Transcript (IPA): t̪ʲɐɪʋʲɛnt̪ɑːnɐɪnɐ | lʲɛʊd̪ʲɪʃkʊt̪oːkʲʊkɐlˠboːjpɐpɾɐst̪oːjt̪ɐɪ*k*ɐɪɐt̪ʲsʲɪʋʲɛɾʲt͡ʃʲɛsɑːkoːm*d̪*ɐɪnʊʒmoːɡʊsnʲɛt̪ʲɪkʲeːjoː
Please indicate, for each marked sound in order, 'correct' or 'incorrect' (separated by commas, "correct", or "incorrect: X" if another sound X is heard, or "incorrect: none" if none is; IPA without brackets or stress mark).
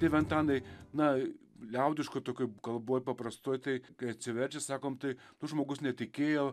correct, incorrect: t̪